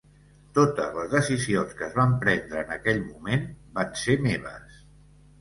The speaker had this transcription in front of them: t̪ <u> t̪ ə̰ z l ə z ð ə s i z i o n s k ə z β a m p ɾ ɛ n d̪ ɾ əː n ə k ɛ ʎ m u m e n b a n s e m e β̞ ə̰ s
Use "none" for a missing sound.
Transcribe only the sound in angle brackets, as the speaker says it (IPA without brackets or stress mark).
o